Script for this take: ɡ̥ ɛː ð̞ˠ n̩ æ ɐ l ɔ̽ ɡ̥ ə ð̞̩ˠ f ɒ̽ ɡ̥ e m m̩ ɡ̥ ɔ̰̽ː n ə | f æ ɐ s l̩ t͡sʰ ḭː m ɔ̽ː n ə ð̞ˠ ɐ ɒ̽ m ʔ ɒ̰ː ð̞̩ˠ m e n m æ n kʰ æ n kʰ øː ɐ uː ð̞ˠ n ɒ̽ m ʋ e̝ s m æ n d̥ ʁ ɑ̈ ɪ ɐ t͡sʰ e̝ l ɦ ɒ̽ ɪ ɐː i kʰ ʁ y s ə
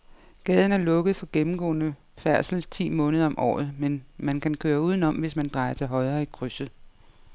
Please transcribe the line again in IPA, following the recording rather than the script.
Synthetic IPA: ɡ̥ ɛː ð̞ˠ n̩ æ ɐ l ɔ̽ ɡ̥ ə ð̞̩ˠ f ɒ̽ ɡ̥ e m m̩ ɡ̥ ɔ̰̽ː n ə | f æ ɐ s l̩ t͡sʰ ḭː m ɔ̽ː n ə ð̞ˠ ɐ ɒ̽ m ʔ ɒ̰ː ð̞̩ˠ m e n m æ n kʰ æ n kʰ øː ɐ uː ð̞ˠ n ɒ̽ m ʋ e̝ s m æ n d̥ ʁ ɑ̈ ɪ ɐ t͡sʰ e̝ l ɦ ɒ̽ ɪ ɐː i kʰ ʁ y s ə